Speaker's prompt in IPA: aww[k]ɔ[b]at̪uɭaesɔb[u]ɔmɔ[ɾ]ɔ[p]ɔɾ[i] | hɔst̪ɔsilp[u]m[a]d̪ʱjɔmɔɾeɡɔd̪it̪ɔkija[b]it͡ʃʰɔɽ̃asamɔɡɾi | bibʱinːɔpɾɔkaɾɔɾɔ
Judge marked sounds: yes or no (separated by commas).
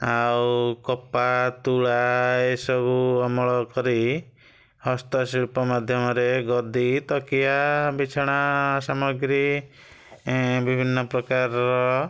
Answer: yes, no, yes, no, no, yes, no, yes, yes